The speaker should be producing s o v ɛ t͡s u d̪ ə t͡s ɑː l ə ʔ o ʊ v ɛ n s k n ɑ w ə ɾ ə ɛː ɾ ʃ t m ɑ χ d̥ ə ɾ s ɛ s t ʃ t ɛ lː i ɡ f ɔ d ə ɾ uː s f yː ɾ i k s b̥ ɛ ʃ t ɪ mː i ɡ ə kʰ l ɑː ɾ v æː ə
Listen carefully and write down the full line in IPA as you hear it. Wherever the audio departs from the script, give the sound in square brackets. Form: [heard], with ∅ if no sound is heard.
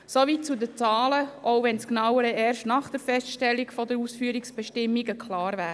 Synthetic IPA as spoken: s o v [i] t͡s u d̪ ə t͡s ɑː l ə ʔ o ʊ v ɛ n s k n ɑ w ə ɾ ə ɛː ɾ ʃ t [n] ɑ χ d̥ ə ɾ [f] ɛ s t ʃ t ɛ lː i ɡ f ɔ d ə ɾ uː s f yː ɾ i k s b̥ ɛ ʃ t ɪ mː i ɡ ə kʰ l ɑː ɾ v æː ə

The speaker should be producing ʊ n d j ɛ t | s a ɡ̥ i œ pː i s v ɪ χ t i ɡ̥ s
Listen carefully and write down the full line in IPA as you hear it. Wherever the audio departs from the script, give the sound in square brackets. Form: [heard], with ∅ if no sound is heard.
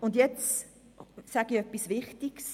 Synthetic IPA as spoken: ʊ n d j ɛ [t͡s] | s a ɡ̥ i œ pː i s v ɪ χ t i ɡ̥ s

